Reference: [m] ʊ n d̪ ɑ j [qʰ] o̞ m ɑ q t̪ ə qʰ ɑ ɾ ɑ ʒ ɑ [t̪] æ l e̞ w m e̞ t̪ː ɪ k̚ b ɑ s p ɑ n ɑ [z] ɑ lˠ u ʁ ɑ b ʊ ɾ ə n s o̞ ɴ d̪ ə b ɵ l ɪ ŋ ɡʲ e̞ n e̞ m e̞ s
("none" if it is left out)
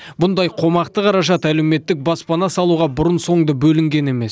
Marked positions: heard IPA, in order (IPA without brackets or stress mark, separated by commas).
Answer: b, qʰ, t̪, s